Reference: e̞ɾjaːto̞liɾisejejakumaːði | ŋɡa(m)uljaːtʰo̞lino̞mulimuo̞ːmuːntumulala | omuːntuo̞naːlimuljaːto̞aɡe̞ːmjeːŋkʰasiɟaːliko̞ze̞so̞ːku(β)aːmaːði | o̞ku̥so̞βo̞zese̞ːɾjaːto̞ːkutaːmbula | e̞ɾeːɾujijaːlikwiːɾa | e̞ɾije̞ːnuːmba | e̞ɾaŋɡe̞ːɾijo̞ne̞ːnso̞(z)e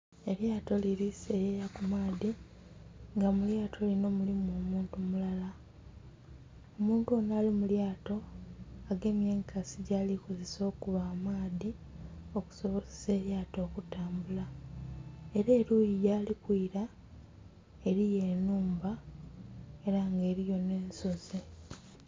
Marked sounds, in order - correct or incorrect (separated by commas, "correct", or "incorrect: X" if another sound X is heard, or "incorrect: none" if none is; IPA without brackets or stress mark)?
correct, correct, correct